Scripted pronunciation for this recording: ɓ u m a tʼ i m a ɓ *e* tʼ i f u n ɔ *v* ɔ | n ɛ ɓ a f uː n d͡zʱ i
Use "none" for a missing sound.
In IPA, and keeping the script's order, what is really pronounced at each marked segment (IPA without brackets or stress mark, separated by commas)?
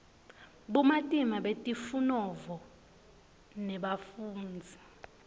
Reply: e, v